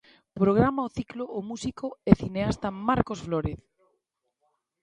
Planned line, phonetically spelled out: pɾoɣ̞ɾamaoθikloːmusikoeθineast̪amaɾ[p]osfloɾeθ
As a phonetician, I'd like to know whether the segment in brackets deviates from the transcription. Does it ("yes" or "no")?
yes